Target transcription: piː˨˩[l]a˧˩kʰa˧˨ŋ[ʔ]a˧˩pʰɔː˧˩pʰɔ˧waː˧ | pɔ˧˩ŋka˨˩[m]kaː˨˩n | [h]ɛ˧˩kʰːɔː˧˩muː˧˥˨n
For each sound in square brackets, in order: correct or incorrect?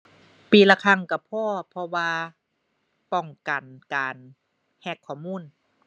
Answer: correct, incorrect: k, incorrect: n, correct

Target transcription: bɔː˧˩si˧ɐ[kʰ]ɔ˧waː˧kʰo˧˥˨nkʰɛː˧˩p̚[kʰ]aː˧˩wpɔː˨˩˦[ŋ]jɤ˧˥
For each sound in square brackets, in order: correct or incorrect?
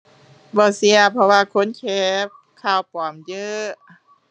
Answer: incorrect: pʰ, correct, incorrect: m

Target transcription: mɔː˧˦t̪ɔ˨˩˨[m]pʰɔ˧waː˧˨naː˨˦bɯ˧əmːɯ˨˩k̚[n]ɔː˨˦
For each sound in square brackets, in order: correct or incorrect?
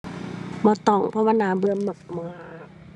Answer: incorrect: ŋ, incorrect: m

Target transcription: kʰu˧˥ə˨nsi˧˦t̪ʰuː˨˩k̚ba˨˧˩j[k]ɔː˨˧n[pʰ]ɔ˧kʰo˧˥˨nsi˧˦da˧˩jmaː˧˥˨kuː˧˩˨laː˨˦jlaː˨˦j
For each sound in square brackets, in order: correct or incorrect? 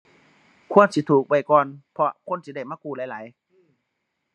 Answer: correct, correct

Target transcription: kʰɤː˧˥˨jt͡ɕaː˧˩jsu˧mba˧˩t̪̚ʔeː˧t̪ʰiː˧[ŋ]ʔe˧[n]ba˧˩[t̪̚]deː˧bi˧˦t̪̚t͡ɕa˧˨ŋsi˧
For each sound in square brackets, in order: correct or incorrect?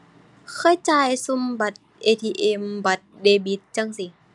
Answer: incorrect: none, incorrect: m, correct

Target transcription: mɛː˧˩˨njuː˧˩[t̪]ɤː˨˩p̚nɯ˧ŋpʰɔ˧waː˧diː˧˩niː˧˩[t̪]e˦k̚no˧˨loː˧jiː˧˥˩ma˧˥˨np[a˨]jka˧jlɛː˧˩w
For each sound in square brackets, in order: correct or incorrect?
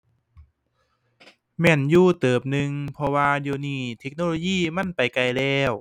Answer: correct, incorrect: t̪ʰ, correct

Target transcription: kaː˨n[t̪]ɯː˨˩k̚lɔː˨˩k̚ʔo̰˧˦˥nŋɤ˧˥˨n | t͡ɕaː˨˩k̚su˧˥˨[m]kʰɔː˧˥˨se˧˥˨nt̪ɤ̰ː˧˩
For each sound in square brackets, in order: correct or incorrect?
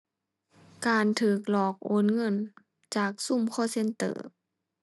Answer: incorrect: t̪ʰ, correct

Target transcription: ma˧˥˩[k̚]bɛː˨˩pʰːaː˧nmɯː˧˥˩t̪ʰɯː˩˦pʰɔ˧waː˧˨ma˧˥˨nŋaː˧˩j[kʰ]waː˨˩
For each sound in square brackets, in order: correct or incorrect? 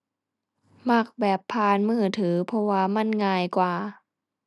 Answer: correct, incorrect: k

